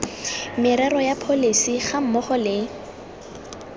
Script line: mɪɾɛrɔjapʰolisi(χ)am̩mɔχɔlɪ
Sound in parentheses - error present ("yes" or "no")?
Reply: no